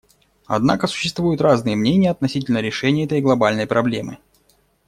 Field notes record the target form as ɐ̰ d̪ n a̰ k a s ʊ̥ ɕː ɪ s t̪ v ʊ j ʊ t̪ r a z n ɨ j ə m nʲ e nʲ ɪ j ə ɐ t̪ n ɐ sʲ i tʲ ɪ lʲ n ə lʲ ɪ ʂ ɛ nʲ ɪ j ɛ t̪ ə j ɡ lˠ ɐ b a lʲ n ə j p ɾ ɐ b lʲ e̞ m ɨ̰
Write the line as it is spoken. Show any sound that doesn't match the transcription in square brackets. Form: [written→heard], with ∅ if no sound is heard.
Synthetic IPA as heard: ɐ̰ d̪ n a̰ k [a→ə] s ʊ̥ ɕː ɪ s t̪ v [ʊ→u] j ʊ t̪ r a z n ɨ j ə m nʲ e nʲ ɪ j ə ɐ t̪ n ɐ sʲ i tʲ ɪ lʲ n ə [lʲ→ɾʲ] ɪ ʂ ɛ nʲ ɪ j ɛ t̪ ə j ɡ lˠ ɐ b a lʲ n ə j p ɾ ɐ b lʲ e̞ m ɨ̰